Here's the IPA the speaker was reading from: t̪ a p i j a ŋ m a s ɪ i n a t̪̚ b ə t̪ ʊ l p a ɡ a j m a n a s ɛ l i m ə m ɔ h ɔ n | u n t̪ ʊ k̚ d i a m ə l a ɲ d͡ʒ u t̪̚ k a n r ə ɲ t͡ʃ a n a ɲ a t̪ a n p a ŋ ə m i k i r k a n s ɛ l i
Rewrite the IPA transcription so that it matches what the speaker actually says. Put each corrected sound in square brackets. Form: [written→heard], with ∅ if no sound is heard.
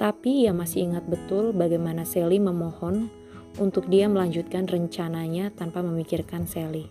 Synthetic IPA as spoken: t̪ a p i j a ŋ m a s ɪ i [n→ŋ] a t̪̚ b ə t̪ ʊ l [p→b] a ɡ a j m a n a s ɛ l i m ə m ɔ h ɔ n | u n t̪ ʊ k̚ d i a m ə l a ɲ d͡ʒ u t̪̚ k a n r ə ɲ t͡ʃ a n a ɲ a t̪ a n p a [ŋ→m] ə m i k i r k a n s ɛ l i